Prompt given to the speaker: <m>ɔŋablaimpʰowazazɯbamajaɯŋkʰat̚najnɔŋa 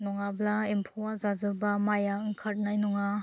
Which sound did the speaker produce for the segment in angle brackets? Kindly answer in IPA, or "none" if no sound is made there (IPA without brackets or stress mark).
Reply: n